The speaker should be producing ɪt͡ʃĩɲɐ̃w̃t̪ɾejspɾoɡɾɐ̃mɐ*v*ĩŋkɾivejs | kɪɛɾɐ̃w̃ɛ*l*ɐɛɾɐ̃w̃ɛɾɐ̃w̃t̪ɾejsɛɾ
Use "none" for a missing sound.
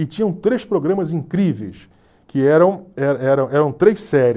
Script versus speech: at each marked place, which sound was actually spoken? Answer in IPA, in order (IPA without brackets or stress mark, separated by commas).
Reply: z, ɾ